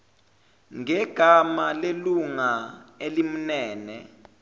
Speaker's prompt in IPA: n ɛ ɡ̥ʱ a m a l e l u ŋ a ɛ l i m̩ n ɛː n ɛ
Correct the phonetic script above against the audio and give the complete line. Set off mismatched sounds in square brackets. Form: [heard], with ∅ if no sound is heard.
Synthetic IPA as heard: [ŋ] ɛ ɡ̥ʱ a m a l e l u ŋ a [e] l i m̩ n ɛː n ɛ